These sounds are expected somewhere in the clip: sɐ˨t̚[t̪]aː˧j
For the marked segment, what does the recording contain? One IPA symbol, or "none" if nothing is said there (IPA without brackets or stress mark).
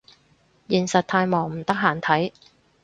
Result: t̪ʰ